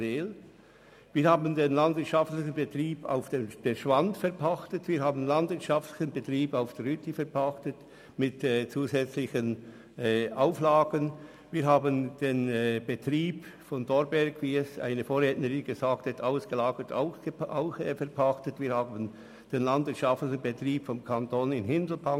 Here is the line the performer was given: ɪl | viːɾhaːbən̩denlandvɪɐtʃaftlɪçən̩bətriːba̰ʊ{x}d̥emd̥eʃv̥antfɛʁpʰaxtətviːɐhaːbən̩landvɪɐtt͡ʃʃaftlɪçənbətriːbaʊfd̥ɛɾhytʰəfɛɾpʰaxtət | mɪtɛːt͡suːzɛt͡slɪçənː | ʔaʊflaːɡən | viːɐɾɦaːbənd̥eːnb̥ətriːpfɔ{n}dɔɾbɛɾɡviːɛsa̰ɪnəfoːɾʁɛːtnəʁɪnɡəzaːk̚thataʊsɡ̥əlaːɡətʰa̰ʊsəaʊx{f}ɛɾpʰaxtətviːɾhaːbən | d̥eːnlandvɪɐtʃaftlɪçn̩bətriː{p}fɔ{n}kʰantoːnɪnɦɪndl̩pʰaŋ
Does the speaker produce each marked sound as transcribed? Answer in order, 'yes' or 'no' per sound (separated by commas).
no, yes, yes, yes, no